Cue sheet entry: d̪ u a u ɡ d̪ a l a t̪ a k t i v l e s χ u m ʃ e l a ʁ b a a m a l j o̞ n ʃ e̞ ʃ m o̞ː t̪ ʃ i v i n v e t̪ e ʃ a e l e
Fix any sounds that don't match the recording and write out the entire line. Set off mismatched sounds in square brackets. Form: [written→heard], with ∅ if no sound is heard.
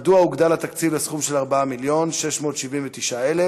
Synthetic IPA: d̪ u a u ɡ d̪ a l a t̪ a k [t→t͡s] i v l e s χ u m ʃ e l a ʁ b a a m [a→i] l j o̞ n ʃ e̞ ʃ m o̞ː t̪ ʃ i v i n v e t̪ [e→i] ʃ a e l e